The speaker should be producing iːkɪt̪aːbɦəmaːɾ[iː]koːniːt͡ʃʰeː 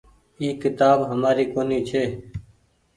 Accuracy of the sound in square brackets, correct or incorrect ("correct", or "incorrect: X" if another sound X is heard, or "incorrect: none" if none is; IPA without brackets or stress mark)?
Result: correct